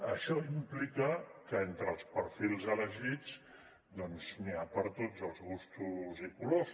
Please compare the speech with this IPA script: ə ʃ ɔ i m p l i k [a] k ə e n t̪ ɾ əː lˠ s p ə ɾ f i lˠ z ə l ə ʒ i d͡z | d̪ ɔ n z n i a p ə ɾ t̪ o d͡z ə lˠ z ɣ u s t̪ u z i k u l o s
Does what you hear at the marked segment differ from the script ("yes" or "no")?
yes